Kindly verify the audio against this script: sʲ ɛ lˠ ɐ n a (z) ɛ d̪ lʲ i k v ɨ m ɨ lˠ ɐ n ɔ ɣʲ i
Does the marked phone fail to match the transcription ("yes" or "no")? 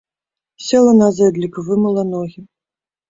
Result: no